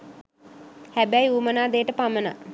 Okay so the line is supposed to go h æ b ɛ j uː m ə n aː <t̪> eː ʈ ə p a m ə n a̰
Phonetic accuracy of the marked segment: incorrect: d̪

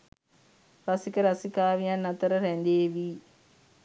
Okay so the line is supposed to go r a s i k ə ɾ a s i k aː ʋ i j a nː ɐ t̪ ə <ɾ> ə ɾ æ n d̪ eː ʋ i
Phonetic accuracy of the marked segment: correct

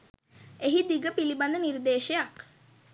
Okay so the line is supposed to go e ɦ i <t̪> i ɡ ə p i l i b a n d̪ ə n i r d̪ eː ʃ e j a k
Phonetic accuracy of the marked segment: incorrect: d̪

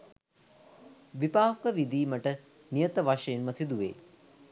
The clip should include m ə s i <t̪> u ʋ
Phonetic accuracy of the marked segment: incorrect: d̪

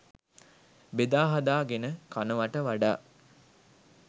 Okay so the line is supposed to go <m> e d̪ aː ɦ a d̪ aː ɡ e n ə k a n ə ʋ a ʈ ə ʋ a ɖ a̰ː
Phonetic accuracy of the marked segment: incorrect: b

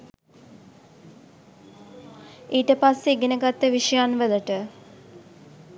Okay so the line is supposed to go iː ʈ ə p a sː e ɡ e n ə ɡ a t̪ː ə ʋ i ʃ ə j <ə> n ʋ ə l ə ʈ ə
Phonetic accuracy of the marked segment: incorrect: a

